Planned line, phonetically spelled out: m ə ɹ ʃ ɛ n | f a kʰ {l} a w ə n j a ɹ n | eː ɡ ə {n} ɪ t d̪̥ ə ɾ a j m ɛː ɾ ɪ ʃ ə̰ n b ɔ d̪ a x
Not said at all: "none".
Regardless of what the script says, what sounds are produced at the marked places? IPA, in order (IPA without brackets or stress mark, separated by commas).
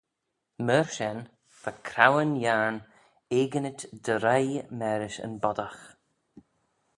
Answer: ɾ, n